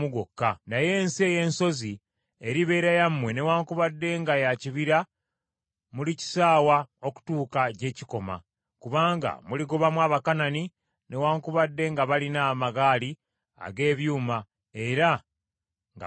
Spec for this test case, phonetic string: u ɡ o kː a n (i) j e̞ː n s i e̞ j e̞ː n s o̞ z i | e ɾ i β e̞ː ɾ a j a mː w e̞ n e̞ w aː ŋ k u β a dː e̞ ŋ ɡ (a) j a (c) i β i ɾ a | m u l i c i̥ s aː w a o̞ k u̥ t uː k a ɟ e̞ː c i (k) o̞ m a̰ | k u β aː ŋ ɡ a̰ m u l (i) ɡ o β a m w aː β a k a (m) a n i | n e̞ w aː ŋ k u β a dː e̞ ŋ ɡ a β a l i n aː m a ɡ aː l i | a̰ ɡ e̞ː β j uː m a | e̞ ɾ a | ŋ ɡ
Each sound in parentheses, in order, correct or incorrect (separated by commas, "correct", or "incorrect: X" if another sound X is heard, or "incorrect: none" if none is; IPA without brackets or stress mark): incorrect: a, correct, correct, correct, correct, incorrect: n